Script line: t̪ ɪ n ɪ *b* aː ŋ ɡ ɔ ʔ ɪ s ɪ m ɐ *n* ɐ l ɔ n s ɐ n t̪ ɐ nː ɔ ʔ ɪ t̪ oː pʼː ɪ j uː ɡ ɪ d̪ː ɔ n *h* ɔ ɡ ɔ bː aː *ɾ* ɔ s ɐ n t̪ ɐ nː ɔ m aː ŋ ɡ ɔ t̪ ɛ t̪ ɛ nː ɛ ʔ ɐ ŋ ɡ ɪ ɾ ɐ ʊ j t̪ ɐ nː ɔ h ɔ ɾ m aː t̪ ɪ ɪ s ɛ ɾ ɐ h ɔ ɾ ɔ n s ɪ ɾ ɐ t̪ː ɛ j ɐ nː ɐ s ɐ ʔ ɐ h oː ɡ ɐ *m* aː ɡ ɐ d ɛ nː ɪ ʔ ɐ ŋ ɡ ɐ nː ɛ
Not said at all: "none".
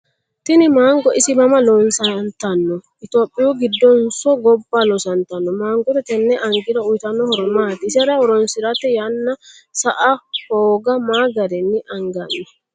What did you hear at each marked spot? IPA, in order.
m, m, s, l, m

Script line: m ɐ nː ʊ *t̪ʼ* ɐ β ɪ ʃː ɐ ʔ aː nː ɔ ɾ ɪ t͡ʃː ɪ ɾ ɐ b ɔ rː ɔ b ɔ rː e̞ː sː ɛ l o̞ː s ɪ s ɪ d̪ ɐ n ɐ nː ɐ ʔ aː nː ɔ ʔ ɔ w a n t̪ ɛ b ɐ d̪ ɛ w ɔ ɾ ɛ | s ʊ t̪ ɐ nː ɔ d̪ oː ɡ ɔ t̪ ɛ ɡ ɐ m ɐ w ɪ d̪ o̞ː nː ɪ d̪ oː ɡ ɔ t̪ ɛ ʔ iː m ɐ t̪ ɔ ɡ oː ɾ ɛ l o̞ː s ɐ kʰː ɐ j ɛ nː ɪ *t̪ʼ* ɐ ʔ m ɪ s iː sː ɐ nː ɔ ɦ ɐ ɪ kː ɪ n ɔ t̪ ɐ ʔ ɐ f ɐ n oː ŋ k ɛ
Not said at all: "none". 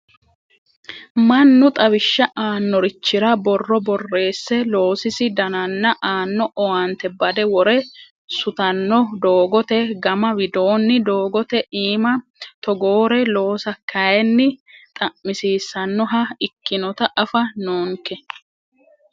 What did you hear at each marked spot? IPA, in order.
t̪ʼ, t̪ʼ

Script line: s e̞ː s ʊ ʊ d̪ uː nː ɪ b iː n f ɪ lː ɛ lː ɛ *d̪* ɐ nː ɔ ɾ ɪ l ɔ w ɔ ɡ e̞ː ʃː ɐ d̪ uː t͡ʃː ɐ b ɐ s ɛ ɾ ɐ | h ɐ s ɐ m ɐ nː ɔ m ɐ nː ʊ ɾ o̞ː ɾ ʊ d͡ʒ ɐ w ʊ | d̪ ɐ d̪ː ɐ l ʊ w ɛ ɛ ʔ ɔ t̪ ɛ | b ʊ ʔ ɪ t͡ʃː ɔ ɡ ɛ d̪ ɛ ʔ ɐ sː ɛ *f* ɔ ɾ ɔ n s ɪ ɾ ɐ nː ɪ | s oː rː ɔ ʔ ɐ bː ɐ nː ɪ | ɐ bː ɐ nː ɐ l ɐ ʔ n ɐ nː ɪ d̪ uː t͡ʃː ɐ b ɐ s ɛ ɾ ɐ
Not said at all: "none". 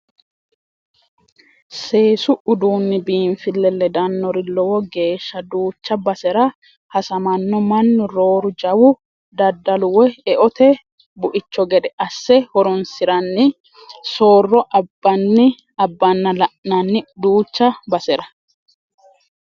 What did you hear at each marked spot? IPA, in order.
d̪, h

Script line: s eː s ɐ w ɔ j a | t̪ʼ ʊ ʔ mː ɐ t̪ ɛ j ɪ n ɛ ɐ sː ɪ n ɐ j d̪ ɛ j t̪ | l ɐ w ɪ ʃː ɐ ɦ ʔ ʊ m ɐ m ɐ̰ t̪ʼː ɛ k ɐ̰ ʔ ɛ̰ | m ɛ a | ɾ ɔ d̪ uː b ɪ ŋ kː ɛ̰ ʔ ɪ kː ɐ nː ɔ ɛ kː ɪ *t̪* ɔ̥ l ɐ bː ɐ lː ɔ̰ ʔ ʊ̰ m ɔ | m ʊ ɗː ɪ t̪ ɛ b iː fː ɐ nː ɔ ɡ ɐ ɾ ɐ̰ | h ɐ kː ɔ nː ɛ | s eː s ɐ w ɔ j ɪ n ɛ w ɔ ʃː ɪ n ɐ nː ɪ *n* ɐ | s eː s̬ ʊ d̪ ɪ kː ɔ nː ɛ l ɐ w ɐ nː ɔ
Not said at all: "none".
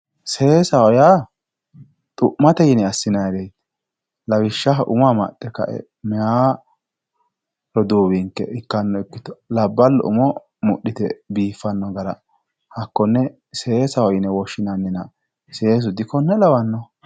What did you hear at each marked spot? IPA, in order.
t̪, n

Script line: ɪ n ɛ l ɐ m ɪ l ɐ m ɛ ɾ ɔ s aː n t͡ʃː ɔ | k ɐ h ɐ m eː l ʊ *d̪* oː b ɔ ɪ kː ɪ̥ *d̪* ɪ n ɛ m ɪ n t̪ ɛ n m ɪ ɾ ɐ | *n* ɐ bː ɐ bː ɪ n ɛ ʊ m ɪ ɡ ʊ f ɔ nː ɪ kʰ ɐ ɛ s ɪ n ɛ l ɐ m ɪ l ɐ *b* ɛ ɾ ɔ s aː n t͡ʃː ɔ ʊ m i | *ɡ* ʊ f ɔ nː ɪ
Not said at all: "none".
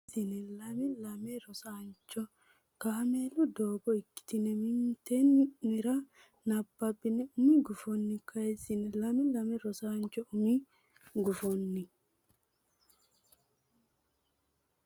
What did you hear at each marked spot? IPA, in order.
d̪, t̪, n, m, ɡ

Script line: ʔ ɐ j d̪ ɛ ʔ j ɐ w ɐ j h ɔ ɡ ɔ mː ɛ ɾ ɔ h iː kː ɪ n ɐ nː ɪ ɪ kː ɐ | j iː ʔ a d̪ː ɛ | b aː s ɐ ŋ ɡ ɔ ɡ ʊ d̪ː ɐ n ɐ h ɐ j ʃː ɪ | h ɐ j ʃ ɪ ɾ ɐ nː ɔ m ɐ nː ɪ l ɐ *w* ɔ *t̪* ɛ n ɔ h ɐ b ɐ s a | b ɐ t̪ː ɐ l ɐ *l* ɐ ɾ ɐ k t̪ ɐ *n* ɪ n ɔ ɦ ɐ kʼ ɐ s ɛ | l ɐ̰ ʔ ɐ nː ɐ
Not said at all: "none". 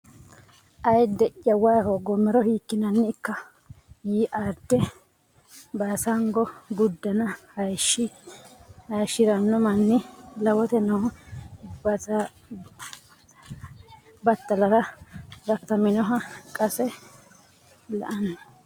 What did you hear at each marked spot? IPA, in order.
w, t̪, ɾ, m

